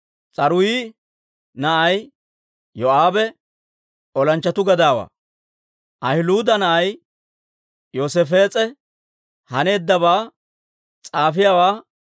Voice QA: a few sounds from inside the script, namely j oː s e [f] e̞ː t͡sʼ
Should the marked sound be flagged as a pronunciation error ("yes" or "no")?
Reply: no